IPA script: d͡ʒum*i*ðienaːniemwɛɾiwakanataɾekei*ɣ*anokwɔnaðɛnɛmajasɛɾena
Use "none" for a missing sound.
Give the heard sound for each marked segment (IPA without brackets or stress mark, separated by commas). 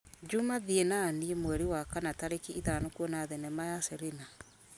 a, ð